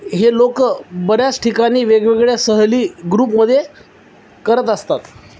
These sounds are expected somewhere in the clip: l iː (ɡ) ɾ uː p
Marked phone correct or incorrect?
correct